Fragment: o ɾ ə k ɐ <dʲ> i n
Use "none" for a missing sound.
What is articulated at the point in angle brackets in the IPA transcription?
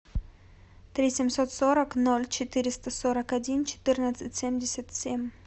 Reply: dʲ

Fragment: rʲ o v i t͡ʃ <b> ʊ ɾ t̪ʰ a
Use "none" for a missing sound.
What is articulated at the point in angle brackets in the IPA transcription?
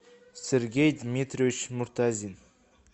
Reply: m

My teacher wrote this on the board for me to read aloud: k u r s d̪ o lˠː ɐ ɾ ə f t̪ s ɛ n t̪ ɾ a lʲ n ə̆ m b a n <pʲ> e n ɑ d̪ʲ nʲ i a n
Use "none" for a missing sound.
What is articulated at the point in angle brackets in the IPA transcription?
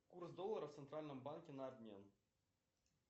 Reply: kʲ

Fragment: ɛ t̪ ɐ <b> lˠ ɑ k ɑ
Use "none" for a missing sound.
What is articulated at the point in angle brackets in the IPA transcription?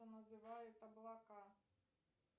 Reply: b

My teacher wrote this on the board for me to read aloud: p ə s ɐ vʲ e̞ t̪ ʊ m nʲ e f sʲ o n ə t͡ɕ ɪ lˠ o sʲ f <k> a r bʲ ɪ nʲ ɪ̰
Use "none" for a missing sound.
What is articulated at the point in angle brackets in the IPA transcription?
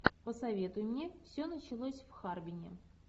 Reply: x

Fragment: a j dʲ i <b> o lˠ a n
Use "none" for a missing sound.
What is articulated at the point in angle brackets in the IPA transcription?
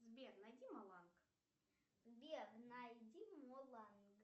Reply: m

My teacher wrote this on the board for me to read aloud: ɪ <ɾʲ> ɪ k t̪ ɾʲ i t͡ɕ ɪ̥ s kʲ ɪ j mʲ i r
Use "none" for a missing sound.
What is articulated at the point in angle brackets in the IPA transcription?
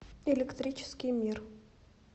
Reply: lʲ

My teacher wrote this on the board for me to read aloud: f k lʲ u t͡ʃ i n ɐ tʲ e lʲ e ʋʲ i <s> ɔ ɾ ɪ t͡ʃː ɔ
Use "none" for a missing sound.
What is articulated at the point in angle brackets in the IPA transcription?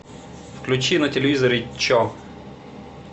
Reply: z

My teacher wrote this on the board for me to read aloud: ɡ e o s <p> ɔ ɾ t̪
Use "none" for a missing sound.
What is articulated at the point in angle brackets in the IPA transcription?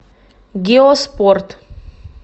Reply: p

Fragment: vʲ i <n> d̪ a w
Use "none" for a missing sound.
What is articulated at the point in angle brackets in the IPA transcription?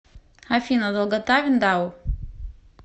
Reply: n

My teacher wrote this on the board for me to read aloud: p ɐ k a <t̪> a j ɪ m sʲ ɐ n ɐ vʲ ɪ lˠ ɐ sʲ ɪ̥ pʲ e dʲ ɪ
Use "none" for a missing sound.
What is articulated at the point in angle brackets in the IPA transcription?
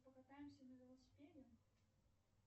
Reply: t̪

